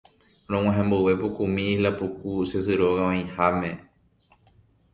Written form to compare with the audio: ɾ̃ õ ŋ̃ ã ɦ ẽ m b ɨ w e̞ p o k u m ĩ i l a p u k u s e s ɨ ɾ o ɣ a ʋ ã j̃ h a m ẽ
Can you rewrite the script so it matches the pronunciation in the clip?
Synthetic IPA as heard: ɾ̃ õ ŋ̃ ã ɦ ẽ m b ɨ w e̞ p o k u m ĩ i l a p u k u s e s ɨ ɾ o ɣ a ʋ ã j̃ h a m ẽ